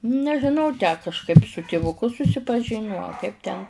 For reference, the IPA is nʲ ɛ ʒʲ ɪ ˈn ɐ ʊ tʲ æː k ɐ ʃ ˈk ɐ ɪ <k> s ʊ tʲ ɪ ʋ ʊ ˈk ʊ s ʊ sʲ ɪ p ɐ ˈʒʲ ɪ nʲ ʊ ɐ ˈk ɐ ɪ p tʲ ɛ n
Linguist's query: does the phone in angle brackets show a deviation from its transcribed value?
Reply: yes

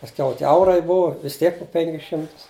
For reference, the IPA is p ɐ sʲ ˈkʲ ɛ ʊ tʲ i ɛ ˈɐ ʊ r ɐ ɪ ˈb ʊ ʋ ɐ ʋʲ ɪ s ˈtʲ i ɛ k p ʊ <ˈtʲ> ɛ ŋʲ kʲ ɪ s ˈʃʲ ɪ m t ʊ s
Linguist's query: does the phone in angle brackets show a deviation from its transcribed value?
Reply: yes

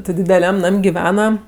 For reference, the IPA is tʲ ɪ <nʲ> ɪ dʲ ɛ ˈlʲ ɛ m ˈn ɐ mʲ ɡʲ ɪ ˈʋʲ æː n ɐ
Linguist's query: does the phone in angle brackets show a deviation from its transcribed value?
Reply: yes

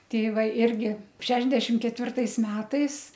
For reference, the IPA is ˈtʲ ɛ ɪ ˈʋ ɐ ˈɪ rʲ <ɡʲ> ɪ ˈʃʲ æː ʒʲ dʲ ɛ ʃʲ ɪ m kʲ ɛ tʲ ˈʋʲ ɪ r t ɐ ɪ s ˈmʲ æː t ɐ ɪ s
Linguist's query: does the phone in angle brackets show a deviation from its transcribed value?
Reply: no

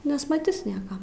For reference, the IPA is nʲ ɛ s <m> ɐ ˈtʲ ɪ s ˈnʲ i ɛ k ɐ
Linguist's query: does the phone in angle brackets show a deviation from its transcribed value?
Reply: no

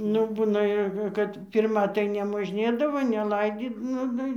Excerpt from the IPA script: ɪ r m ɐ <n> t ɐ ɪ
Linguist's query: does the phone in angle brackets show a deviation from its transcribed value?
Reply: yes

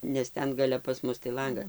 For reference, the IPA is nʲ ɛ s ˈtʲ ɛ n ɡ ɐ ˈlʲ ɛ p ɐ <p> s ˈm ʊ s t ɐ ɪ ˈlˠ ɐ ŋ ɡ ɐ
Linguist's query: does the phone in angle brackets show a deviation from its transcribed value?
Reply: yes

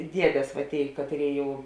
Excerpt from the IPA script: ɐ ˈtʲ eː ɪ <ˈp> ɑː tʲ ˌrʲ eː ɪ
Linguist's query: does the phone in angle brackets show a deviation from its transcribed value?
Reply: yes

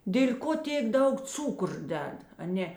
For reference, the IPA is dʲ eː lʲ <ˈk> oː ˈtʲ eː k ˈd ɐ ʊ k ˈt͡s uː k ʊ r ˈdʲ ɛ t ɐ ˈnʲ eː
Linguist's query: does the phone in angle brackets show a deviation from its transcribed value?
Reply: no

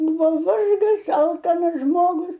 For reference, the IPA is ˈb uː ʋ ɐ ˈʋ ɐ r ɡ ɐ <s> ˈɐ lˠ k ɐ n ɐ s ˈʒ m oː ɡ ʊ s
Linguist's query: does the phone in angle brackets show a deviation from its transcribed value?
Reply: no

